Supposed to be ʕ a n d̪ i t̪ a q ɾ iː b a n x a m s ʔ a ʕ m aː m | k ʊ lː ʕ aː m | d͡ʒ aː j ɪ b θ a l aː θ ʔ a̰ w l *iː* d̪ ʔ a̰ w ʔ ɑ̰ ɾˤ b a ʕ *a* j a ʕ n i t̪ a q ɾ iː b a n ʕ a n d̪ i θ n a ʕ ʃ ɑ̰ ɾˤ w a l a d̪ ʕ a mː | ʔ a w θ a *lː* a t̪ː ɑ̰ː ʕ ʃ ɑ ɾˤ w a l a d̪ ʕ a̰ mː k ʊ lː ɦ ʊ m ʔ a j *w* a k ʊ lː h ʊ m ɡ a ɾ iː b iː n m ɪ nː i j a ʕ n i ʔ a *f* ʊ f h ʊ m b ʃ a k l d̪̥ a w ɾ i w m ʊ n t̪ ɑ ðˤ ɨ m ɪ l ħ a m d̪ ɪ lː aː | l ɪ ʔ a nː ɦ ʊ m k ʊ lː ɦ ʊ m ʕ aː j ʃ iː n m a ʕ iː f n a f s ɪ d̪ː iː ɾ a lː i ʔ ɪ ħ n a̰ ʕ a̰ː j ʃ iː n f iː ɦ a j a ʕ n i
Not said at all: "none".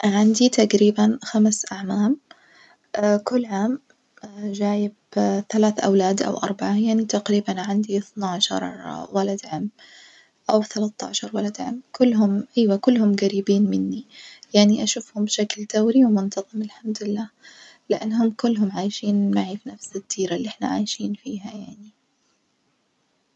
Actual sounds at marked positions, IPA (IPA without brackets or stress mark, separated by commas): aː, a, l, w, ʃ